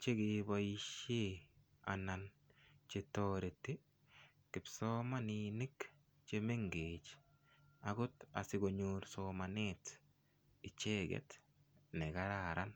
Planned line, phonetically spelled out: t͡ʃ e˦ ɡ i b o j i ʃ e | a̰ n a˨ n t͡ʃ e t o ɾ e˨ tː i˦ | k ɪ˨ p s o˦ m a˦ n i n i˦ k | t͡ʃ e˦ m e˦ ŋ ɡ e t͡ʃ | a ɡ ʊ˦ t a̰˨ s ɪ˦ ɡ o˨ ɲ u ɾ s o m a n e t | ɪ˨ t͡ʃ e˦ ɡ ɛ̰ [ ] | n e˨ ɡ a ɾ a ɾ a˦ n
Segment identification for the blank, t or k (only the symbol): t